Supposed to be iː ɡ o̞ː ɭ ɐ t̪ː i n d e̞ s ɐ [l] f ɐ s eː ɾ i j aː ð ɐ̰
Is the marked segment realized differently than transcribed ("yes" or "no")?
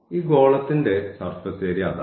yes